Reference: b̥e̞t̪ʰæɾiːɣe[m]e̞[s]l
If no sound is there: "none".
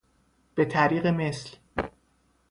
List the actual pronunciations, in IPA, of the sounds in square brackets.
m, s

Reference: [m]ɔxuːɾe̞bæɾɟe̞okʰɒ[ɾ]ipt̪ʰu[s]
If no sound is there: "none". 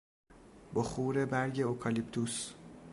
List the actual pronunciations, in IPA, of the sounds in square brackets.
b, l, s

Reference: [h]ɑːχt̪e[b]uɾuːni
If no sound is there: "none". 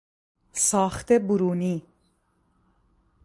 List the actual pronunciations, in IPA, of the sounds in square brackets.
s, b

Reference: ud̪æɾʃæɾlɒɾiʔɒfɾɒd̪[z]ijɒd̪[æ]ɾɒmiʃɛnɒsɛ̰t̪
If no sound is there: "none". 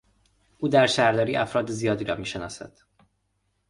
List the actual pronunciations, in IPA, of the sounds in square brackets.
z, i

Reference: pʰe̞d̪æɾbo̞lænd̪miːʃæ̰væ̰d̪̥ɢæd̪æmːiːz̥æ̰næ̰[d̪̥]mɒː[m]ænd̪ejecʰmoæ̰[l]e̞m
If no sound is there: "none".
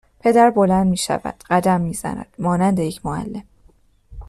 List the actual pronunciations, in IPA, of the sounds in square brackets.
d̪̥, n, lː

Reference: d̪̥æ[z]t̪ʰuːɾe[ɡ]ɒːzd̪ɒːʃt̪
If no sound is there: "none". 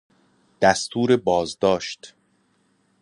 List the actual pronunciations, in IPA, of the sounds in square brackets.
s, b

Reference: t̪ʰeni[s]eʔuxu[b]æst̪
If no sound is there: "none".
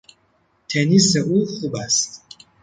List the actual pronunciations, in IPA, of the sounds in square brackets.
s, b

